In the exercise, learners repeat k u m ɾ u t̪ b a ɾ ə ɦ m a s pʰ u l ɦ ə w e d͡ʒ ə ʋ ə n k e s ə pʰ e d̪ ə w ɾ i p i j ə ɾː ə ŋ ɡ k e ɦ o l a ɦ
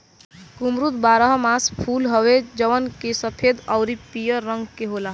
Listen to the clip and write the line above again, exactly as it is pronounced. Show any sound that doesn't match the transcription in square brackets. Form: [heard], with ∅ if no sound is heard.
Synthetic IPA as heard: k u m ɾ u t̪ b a ɾ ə ɦ m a s pʰ u l ɦ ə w e d͡ʒ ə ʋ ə n k e s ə pʰ e d̪ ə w ɾ i p i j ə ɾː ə ŋ ɡ k e ɦ o l a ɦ